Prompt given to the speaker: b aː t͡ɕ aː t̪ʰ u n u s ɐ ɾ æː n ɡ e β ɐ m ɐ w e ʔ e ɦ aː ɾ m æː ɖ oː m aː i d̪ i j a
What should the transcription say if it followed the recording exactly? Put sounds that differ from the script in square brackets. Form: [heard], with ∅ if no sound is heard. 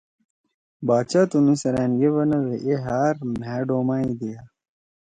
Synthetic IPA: b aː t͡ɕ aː [t̪] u n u s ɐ ɾ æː n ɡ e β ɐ [n] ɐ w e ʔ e ɦ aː ɾ m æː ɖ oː m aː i d̪ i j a